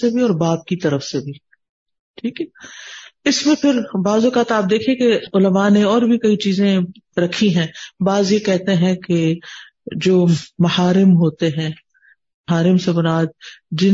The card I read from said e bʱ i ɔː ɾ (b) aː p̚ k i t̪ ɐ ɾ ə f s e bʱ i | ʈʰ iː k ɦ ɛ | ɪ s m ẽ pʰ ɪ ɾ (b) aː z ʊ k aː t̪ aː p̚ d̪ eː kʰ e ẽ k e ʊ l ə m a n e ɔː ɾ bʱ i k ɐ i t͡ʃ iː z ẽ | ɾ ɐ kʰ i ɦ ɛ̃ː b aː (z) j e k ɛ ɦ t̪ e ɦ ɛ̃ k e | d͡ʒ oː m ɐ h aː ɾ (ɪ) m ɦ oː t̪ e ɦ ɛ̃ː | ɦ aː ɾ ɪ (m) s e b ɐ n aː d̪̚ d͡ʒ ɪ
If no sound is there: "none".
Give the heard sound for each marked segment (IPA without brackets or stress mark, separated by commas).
b, b, z, ɪ, m